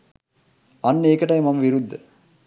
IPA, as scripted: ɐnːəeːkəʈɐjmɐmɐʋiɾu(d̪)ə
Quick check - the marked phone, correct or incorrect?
incorrect: d̪ː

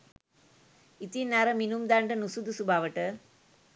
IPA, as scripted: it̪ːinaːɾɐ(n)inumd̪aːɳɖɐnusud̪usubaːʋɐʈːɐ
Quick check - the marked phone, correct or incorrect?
incorrect: m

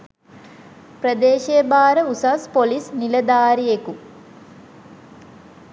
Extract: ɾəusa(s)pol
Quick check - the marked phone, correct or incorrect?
correct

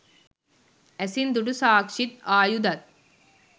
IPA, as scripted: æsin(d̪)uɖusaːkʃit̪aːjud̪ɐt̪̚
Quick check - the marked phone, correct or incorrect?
correct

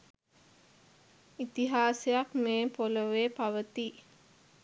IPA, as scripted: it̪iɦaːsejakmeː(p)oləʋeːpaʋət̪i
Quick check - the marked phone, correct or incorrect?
correct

